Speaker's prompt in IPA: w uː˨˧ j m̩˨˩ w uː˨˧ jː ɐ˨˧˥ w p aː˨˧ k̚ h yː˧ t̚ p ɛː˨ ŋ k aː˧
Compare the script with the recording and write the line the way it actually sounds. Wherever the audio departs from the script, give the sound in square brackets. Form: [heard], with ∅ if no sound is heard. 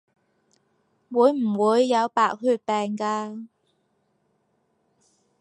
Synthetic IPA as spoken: w uː˨˧ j m̩˨˩ w uː˨˧ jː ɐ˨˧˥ w p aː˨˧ k̚ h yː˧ t̚ p ɛː˨ ŋ k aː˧

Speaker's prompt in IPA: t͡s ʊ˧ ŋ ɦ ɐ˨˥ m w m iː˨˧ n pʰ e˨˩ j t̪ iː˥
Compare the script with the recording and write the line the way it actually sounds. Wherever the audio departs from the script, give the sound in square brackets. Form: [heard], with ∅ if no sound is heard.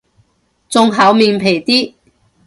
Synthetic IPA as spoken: t͡s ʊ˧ ŋ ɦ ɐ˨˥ [∅] w m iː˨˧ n pʰ e˨˩ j t̪ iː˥

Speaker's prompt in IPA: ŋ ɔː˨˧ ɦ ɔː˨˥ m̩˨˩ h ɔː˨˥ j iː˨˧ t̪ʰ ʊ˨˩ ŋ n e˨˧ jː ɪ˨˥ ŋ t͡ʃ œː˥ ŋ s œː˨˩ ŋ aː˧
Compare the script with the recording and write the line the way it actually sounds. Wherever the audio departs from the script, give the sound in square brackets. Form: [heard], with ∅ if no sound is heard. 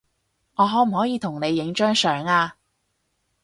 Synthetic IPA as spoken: ŋ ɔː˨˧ ɦ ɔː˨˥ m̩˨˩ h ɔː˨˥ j iː˨˧ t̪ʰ ʊ˨˩ ŋ n e˨˧ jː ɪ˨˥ ŋ t͡ʃ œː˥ ŋ s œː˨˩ ŋ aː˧

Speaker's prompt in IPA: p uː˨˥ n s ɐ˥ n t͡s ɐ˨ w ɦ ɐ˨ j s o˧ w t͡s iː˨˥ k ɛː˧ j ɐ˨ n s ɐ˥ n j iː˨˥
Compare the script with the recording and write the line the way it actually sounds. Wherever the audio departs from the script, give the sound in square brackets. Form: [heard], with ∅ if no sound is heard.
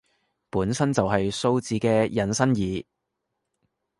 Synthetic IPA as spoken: p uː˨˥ n s ɐ˥ n t͡s ɐ˨ w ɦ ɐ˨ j s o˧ w t͡s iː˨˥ k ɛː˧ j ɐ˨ n s ɐ˥ n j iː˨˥

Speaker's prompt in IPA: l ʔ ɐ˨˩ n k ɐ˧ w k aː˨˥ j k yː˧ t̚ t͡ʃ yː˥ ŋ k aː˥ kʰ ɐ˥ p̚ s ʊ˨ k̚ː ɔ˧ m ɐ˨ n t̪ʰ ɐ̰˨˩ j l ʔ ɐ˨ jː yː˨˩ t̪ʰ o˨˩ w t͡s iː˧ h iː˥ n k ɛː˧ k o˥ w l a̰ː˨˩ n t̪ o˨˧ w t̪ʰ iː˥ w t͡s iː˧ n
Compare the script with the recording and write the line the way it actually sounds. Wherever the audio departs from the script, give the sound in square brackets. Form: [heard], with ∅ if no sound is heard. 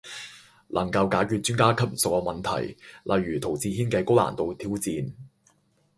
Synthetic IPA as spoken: l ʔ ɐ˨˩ [ŋ] k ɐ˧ w k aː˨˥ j k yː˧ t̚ t͡ʃ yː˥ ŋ k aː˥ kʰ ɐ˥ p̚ s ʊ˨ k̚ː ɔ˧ m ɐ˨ n t̪ʰ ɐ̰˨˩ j l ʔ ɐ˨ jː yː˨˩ t̪ʰ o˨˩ w t͡s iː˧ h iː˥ n k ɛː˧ k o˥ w l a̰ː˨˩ n t̪ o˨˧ w t̪ʰ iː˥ w t͡s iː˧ n

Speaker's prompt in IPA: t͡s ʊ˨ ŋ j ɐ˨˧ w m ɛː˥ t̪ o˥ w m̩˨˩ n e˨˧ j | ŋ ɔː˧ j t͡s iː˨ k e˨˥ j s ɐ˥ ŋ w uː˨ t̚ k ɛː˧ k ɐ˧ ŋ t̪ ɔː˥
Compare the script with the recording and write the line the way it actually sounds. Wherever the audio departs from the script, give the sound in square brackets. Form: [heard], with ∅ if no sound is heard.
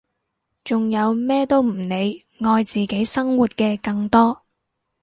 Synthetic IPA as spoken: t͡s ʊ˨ ŋ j ɐ˨˧ w m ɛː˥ t̪ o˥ w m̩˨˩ n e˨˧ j | ŋ ɔː˧ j t͡s iː˨ k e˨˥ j s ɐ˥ ŋ w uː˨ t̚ k ɛː˧ k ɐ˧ ŋ t̪ ɔː˥

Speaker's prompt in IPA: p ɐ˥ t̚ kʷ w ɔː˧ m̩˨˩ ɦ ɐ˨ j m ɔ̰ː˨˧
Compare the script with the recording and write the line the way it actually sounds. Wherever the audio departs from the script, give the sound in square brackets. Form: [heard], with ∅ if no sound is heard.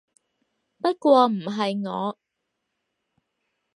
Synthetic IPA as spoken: p ɐ˥ t̚ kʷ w ɔː˧ m̩˨˩ ɦ ɐ˨ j [ŋ] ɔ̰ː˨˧

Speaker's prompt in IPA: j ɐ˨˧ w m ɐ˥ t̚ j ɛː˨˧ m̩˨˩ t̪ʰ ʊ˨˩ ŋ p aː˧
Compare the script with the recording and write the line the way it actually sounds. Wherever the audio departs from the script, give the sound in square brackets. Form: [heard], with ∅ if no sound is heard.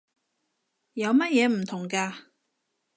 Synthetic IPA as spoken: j ɐ˨˧ w m ɐ˥ t̚ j ɛː˨˧ m̩˨˩ t̪ʰ ʊ˨˩ ŋ [k] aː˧

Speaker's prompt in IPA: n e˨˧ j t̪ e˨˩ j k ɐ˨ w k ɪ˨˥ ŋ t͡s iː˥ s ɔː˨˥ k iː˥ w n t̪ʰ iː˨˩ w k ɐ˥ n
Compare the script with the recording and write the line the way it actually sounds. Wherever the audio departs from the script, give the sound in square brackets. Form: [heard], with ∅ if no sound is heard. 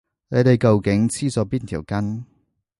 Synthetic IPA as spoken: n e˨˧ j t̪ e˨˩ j k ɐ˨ w k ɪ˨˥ ŋ [t͡sʰ] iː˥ s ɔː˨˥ [p] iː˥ [∅] n t̪ʰ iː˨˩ w k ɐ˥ n

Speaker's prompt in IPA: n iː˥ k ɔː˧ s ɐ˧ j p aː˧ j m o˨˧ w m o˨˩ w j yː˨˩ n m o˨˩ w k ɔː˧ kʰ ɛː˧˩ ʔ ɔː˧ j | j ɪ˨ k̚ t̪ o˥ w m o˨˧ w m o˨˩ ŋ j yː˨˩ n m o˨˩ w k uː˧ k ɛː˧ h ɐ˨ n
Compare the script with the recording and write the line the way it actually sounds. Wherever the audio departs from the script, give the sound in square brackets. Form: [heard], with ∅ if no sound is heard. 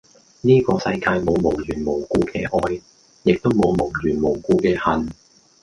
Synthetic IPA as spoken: n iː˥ k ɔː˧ s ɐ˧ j [k] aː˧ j m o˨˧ w m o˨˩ w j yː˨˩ n m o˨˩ w k [uː˧] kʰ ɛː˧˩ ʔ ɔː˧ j | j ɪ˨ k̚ t̪ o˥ w m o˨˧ w m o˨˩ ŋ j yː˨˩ n m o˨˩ w k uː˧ k ɛː˧ h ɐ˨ n

